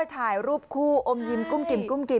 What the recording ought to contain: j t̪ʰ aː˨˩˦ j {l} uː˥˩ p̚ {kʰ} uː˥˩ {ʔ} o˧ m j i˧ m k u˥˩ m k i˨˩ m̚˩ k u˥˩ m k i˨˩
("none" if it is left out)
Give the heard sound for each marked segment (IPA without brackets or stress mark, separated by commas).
ɾ, kʰ, ʔ